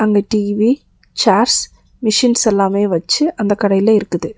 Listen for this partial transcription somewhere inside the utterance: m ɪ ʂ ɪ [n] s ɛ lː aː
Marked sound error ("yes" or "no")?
no